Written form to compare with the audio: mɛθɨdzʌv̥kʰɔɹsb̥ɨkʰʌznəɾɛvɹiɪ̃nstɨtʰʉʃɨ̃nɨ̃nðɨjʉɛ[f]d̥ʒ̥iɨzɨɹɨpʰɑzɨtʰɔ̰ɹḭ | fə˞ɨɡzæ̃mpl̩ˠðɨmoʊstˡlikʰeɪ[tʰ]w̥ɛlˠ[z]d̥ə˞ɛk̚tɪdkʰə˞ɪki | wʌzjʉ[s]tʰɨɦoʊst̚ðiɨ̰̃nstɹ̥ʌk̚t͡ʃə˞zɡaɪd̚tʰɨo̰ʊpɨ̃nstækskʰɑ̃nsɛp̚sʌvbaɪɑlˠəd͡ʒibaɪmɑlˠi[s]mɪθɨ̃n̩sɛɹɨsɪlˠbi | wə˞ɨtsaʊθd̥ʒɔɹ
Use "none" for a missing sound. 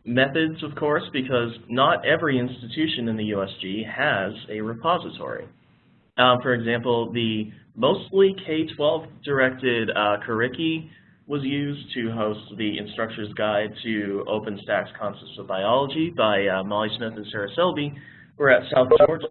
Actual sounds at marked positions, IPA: s, tʰ, v, z, s

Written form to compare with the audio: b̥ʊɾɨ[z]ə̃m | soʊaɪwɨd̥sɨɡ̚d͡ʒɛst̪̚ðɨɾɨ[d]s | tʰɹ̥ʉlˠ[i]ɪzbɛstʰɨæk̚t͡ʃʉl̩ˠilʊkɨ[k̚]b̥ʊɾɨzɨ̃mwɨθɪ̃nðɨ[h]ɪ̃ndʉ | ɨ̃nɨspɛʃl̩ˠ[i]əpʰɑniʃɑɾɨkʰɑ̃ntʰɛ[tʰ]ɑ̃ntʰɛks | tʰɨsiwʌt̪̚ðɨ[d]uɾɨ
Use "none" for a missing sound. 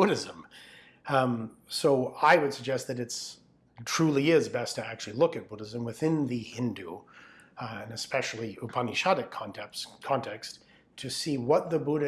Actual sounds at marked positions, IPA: z, t, i, t̚, h, i, kʰ, b

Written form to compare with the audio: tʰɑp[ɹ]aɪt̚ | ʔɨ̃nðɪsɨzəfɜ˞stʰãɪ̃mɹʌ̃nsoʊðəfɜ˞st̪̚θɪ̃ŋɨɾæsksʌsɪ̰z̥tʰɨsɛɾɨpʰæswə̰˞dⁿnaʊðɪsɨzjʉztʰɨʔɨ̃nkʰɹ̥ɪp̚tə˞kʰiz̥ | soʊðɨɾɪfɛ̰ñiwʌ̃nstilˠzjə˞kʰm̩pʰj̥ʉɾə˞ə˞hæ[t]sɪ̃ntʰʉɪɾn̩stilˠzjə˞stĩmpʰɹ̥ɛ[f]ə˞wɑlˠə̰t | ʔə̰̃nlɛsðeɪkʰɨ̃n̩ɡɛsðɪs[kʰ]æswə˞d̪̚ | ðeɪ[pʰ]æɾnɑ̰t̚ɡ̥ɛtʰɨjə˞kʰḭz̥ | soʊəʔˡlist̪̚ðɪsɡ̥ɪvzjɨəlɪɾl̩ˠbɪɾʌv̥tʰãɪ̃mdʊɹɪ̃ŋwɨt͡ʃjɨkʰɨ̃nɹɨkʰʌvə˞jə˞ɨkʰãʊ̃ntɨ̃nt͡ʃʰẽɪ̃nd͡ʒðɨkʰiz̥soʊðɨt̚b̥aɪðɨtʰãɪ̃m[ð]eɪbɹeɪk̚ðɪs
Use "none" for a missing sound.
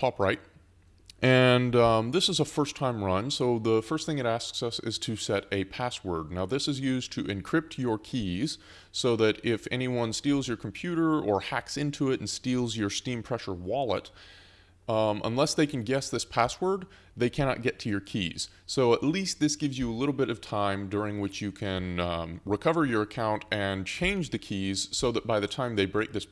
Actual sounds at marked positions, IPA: ɹ, k, ʃ, pʰ, kʰ, ð

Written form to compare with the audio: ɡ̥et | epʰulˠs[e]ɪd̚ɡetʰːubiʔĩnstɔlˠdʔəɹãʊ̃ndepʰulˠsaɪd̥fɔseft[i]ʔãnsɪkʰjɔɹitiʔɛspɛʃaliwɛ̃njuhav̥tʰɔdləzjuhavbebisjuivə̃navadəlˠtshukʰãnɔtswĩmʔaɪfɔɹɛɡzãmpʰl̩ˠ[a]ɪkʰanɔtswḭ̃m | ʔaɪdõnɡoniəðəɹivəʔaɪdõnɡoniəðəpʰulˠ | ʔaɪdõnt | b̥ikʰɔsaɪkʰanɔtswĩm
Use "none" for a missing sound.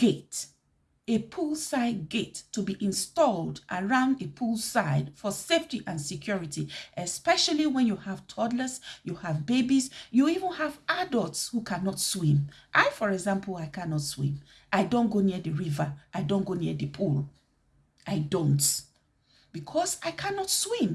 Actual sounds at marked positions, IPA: a, i, a

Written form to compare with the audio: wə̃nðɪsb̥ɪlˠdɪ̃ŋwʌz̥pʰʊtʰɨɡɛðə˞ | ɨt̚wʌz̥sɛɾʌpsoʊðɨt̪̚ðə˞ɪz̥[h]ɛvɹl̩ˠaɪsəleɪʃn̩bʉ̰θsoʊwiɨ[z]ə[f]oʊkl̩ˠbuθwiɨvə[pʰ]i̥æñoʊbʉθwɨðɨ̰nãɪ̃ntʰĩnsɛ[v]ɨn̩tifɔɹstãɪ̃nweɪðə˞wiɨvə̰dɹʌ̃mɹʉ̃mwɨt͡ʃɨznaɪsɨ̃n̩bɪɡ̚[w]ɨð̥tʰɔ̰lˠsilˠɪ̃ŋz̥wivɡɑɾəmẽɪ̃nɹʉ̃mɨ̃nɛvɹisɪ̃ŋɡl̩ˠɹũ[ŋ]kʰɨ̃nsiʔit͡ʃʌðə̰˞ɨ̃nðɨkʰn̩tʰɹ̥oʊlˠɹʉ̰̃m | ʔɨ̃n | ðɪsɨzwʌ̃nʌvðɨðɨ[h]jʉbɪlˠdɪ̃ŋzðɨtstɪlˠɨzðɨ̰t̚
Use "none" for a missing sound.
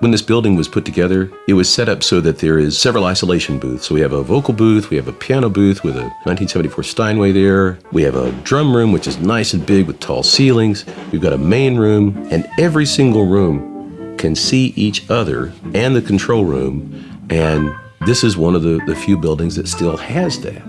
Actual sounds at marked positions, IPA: s, v, v, pʰ, v, w, m, f

